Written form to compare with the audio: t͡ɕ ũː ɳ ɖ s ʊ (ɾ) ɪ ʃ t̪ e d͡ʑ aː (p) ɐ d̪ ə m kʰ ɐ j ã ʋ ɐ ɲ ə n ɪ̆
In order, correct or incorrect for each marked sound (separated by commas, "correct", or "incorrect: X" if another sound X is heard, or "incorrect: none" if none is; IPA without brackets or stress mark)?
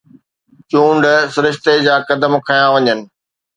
correct, incorrect: k